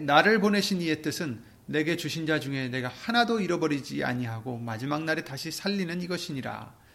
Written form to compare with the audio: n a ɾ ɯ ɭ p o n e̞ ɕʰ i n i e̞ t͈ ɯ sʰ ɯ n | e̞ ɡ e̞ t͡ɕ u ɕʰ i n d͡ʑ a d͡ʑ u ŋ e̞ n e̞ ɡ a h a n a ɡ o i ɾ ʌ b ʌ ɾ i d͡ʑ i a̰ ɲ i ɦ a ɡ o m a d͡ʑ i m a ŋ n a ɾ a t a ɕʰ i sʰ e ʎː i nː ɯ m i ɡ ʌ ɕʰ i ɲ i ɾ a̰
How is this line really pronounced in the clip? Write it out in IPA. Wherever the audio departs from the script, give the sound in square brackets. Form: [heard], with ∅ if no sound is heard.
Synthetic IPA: n a ɾ ɯ ɭ p o n e̞ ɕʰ i n i e̞ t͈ ɯ sʰ ɯ [nː] | e̞ ɡ e̞ t͡ɕ u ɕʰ i n d͡ʑ a d͡ʑ u ŋ e̞ n e̞ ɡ a h a n a [d] o i ɾ ʌ b ʌ ɾ i d͡ʑ i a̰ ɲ i ɦ a ɡ o m a d͡ʑ i m a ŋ n a ɾ [e] t a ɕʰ i sʰ [a] ʎː i [n] ɯ [n] i ɡ ʌ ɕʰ i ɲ i ɾ a̰